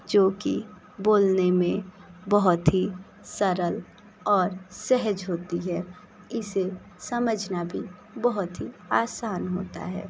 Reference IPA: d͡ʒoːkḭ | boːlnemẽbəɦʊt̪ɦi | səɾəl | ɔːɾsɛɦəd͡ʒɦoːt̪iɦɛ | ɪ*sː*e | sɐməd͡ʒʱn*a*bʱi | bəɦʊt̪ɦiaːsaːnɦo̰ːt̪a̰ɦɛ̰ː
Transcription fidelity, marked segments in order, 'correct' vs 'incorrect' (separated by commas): incorrect, correct